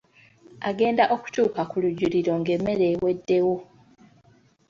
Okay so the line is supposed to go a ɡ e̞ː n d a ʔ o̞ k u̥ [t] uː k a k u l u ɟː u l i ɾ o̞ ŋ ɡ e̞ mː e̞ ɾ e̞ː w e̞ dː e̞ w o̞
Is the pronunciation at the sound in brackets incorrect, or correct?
incorrect